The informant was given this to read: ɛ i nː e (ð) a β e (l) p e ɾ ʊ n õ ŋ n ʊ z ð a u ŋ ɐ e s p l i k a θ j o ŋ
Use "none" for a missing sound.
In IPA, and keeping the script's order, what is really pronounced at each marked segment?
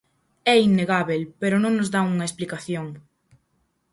ɣ, l

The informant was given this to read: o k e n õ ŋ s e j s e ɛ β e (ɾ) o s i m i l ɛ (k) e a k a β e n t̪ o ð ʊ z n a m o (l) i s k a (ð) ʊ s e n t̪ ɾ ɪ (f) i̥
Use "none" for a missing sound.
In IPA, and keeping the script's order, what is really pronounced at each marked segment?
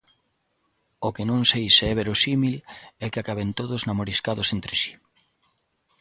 ɾ, k, ɾ, ð, s

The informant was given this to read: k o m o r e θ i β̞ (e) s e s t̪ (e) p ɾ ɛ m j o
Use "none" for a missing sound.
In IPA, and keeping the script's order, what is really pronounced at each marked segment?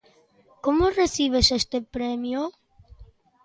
e, e

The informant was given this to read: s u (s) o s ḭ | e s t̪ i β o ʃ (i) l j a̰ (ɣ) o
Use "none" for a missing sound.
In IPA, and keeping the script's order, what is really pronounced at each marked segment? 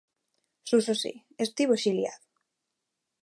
s, i, ð

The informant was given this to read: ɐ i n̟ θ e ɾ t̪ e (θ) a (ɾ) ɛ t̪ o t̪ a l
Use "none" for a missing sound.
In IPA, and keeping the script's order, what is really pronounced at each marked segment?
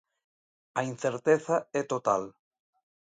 θ, none

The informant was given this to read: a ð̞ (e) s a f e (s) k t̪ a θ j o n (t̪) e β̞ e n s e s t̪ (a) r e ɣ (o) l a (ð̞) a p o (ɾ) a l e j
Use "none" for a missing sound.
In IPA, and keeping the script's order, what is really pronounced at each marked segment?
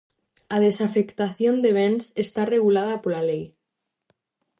e, none, d̪, a, u, ð̞, l

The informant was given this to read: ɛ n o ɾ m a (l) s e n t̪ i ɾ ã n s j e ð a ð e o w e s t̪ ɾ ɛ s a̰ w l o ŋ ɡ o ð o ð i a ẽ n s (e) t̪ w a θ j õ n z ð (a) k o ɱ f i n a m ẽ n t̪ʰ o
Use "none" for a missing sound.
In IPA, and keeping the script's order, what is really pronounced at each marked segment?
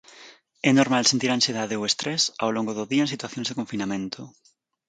l, i, e

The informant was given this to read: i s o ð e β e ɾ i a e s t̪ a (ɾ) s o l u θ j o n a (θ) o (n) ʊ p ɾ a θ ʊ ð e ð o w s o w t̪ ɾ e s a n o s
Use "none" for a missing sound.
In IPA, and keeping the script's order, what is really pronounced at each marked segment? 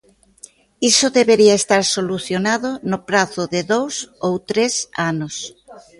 ɾ, ð, n

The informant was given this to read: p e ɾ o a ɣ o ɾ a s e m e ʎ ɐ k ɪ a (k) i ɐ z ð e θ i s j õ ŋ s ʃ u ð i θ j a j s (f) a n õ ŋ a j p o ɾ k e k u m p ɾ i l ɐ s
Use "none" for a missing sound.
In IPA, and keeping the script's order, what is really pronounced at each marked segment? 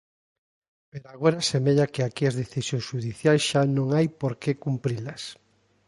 k, ʃ

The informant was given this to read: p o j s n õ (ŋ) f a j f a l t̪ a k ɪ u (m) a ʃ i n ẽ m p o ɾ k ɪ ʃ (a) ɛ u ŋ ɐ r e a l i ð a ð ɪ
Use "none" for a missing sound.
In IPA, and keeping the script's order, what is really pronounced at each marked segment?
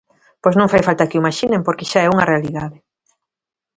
ŋ, m, a

